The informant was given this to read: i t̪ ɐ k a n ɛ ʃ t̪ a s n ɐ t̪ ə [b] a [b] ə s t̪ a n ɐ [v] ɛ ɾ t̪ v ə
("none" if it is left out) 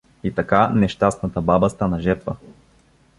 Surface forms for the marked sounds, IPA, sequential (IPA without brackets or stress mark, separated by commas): b, b, ʒ